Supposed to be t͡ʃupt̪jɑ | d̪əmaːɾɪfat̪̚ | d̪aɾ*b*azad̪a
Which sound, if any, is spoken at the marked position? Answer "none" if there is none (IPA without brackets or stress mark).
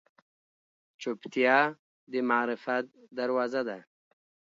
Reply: w